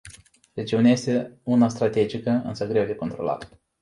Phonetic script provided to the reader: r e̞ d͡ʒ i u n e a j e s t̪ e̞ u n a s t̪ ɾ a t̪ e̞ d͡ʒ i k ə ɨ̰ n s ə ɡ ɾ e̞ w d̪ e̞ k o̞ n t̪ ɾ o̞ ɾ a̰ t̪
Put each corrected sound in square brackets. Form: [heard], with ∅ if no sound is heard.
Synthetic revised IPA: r e̞ d͡ʒ i u n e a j e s t̪ e̞ u n a s t̪ ɾ a t̪ e̞ d͡ʒ i k ə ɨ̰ n s ə ɡ ɾ e̞ w d̪ e̞ k o̞ n t̪ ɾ o̞ [l] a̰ t̪

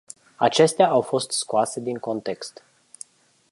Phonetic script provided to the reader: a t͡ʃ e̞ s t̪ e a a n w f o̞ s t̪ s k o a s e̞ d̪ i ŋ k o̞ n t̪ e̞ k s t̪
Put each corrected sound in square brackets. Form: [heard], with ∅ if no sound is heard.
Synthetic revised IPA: a t͡ʃ e̞ s t̪ e a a [∅] w f o̞ s t̪ s k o a s e̞ d̪ i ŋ k o̞ n t̪ e̞ k s t̪

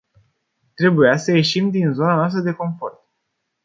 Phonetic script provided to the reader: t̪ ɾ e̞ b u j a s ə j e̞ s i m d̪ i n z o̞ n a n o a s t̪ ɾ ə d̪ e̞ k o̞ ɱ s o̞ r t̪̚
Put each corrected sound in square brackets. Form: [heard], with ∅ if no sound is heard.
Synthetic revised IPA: t̪ ɾ e̞ b u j a s ə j e̞ [ʃ] i m d̪ i n z o̞ n a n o a s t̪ ɾ ə d̪ e̞ k o̞ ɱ [f] o̞ r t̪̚

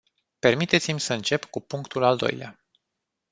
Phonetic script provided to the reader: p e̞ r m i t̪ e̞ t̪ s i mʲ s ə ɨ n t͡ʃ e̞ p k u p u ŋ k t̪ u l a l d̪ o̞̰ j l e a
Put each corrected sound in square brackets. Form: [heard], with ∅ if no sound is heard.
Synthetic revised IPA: p e̞ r m i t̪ e̞ t̪ s i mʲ s ə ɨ n t͡ʃ e̞ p k u p u ŋ k t̪ u l a l d̪ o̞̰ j l e a

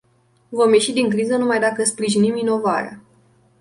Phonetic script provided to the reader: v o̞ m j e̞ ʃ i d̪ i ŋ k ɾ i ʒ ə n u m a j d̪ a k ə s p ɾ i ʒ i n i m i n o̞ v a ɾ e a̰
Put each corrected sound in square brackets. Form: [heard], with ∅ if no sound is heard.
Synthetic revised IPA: v o̞ m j e̞ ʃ i d̪ i ŋ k ɾ i [z] ə n u m a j d̪ a k ə s p ɾ i ʒ i n i m i n o̞ v a ɾ e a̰

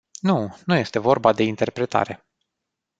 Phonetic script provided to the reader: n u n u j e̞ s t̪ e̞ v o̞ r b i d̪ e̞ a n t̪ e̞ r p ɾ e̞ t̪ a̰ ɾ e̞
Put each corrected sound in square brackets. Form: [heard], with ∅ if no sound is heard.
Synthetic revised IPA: n u n u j e̞ s t̪ e̞ v o̞ r b [a] d̪ e̞ [i] n t̪ e̞ r p ɾ e̞ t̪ a̰ ɾ e̞

